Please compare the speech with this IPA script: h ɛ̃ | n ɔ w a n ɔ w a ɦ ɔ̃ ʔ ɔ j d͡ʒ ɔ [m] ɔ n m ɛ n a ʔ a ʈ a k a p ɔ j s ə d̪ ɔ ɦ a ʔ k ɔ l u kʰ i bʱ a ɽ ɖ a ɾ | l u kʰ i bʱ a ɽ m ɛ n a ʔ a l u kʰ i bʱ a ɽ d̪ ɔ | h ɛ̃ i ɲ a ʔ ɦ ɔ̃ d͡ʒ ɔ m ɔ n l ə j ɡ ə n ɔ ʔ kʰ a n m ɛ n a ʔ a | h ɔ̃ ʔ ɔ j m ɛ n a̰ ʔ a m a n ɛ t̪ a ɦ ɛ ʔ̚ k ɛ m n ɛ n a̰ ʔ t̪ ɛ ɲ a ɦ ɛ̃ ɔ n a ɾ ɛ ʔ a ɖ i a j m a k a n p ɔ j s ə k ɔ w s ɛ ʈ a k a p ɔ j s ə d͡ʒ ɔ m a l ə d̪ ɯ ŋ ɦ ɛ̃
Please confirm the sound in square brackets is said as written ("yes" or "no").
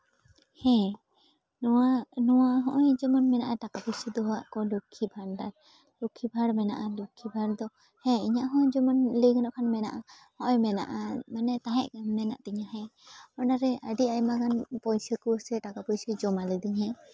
yes